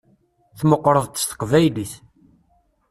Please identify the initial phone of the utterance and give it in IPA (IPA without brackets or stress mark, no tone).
θ